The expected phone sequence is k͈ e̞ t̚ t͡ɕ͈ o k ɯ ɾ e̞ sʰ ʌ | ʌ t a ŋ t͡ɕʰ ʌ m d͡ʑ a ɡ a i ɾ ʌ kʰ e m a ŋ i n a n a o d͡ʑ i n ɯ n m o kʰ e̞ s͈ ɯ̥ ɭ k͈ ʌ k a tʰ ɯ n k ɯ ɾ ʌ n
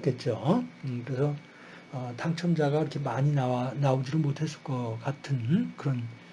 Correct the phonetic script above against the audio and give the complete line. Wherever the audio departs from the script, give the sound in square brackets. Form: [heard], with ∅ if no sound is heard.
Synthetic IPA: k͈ e̞ t̚ t͡ɕ͈ o k ɯ ɾ e̞ sʰ ʌ | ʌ t a ŋ t͡ɕʰ ʌ m d͡ʑ a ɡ a i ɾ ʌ kʰ e m a [ɲ] i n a n a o d͡ʑ i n ɯ n m o [tʰ] e̞ s͈ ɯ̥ ɭ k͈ ʌ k a tʰ ɯ n k ɯ ɾ ʌ n